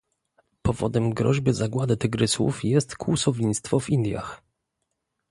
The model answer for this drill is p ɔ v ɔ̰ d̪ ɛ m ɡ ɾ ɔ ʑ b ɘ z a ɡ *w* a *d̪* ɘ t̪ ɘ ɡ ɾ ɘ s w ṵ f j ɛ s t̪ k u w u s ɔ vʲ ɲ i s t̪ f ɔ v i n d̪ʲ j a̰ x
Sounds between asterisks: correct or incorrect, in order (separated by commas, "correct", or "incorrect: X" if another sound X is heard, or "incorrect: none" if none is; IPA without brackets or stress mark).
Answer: correct, correct